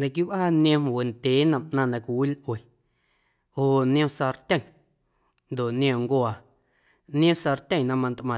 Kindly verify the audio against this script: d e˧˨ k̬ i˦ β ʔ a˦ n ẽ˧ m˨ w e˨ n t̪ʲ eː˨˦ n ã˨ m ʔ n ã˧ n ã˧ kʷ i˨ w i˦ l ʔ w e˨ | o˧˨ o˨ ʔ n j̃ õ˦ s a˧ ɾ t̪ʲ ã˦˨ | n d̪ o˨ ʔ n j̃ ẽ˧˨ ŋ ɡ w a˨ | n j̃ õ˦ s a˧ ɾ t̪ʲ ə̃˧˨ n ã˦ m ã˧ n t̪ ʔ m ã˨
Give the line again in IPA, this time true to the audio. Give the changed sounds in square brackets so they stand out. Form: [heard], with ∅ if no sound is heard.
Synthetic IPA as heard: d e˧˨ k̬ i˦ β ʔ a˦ n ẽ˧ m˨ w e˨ n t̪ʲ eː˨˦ n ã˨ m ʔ n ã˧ n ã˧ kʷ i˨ w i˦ l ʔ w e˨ | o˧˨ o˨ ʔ n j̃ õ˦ s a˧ ɾ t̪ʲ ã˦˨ | n d̪ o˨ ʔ n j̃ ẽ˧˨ ŋ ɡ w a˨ | n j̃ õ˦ s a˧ ɾ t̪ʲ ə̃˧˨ n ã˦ m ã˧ n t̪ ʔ m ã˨